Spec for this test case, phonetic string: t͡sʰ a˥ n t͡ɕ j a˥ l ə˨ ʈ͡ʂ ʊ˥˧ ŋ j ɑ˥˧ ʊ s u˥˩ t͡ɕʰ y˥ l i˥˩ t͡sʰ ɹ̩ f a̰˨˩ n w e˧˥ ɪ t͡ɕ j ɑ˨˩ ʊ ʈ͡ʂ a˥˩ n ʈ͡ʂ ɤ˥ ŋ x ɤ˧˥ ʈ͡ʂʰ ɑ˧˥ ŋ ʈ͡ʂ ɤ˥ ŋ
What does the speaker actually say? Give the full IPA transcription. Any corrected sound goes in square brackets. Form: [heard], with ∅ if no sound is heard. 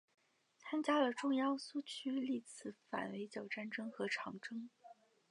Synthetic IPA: t͡sʰ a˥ n t͡ɕ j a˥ l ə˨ ʈ͡ʂ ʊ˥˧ ŋ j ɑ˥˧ ʊ s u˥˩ t͡ɕʰ y˥ l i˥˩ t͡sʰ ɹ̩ f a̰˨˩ n w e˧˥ ɪ t͡ɕ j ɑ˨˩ ʊ ʈ͡ʂ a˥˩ n ʈ͡ʂ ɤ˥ ŋ x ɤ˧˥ ʈ͡ʂʰ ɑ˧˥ ŋ ʈ͡ʂ ɤ˥ ŋ